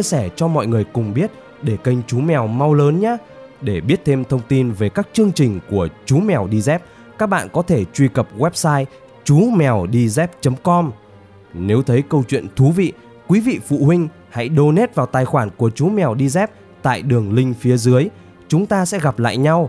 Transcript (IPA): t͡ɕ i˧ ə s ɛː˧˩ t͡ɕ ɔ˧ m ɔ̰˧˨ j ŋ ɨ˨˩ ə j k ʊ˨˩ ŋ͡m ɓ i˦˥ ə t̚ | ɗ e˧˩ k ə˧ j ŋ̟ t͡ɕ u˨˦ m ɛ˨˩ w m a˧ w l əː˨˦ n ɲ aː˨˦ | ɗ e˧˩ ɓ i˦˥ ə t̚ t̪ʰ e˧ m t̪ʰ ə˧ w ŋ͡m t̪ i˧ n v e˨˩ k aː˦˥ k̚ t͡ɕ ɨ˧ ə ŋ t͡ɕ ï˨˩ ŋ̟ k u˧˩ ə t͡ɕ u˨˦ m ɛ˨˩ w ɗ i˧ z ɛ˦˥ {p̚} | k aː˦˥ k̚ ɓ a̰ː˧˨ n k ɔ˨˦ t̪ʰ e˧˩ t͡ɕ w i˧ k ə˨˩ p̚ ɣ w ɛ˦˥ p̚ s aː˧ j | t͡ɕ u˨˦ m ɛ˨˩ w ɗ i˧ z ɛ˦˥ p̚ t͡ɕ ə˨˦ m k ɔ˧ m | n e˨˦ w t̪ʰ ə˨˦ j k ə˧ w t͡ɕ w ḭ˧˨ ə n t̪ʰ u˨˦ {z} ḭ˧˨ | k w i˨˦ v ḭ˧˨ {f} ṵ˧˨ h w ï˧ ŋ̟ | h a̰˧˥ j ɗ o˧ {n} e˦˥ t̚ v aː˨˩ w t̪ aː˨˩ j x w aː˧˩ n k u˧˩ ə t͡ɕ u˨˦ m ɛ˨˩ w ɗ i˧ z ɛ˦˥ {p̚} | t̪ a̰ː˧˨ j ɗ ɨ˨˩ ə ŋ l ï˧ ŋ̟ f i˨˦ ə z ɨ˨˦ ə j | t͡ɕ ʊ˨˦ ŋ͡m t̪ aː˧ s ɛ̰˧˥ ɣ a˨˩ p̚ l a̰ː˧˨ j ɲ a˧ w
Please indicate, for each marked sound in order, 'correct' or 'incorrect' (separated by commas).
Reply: correct, incorrect, correct, correct, correct